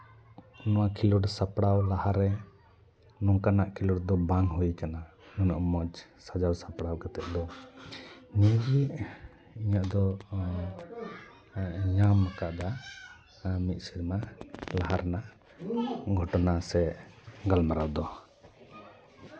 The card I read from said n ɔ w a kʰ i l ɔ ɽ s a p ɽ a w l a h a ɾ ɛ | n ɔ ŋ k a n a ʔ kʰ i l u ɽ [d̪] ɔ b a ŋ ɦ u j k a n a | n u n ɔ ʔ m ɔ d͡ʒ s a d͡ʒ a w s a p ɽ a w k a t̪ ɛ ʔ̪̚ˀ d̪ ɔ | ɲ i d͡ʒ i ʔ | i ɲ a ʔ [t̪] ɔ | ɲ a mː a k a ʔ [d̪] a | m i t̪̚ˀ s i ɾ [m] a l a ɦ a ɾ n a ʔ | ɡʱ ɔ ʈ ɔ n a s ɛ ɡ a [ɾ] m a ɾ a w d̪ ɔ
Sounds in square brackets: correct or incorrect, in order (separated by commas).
correct, incorrect, correct, correct, incorrect